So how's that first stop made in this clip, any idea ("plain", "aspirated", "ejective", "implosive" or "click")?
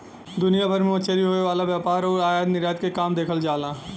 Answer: plain